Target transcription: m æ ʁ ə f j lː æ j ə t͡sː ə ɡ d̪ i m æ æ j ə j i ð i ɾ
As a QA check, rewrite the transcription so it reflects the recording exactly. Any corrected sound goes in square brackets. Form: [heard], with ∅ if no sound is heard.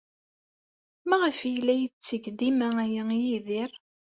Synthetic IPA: m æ ʁ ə f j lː æ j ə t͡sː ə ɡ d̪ i m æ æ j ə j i ð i ɾ